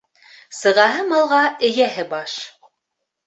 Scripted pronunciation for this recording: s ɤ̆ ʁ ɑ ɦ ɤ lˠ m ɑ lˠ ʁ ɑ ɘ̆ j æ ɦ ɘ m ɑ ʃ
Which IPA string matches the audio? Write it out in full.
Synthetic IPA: s ɤ̆ ʁ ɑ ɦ ɤ m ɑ lˠ ʁ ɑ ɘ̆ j æ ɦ ɘ b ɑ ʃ